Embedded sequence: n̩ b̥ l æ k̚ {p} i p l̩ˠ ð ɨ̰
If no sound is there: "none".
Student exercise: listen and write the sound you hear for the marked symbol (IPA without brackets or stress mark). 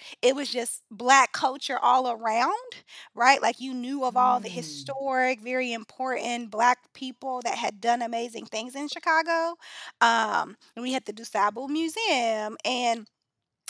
pʰ